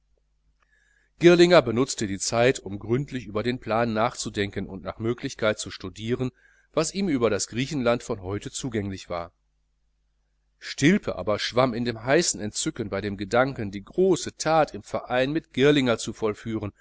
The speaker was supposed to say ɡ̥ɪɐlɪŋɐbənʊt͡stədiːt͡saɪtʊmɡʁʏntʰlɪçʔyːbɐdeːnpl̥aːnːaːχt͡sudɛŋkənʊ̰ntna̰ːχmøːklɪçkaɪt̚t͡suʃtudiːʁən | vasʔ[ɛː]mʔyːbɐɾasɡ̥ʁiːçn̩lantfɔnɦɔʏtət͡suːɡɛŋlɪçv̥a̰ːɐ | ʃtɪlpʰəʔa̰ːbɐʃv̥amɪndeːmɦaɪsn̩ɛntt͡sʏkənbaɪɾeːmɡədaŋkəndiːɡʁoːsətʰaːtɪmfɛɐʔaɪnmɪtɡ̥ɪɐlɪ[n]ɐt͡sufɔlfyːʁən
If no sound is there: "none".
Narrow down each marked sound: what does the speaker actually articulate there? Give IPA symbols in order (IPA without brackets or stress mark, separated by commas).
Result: iː, ŋ